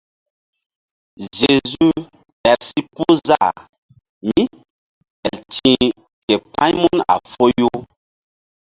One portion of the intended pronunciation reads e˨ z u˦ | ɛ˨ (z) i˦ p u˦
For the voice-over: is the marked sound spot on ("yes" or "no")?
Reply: no